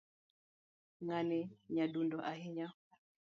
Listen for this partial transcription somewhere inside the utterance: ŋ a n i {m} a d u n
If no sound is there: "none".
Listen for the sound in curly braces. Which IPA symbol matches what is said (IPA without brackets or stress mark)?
ɲ